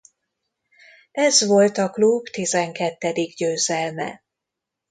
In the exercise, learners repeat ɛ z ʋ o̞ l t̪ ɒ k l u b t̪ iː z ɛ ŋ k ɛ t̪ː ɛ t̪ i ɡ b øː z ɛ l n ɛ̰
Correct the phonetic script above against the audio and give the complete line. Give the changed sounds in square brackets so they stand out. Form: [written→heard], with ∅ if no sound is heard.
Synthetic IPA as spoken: ɛ z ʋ o̞ l t̪ ɒ k l u b t̪ [iː→i] z ɛ ŋ k ɛ t̪ː ɛ [t̪→d̪] i ɡ [b→ɟ] øː z ɛ l [n→m] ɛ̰